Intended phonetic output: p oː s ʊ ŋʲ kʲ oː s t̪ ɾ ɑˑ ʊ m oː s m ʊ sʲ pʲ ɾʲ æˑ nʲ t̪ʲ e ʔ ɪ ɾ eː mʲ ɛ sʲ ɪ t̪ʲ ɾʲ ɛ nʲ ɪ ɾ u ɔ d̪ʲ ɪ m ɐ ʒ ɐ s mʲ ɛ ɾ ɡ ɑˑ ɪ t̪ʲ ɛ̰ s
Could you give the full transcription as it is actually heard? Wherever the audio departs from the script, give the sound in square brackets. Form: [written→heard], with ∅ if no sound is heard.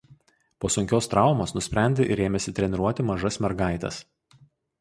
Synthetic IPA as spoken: p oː s ʊ ŋʲ kʲ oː s t̪ ɾ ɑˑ ʊ m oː s [m→n] ʊ sʲ pʲ ɾʲ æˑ nʲ [t̪ʲ→d̪ʲ] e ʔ ɪ ɾ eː mʲ ɛ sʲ ɪ t̪ʲ ɾʲ ɛ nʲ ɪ ɾ u ɔ [d̪ʲ→t̪ʲ] ɪ m ɐ ʒ ɐ s mʲ ɛ ɾ ɡ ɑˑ ɪ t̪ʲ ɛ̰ s